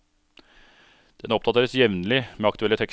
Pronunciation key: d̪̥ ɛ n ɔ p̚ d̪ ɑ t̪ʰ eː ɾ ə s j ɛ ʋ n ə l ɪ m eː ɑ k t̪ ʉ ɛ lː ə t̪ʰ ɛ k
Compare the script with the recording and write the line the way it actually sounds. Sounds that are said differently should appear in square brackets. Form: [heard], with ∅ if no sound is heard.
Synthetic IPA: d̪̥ ɛ n ɔ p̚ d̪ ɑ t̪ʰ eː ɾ ə s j ɛ ʋ n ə l ɪ m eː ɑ k t̪ ʉ ɛ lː ə t̪ʰ ɛ k